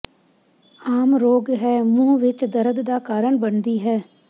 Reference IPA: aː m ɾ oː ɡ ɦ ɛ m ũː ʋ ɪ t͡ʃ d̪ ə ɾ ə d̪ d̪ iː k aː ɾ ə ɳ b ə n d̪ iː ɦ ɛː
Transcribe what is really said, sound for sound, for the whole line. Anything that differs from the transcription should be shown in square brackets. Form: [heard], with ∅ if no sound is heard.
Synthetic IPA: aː m ɾ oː ɡ ɦ [ɛː] m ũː ʋ ɪ t͡ʃ d̪ ə ɾ ə d̪ d̪ [aː] k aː ɾ ə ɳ b ə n d̪ iː ɦ ɛː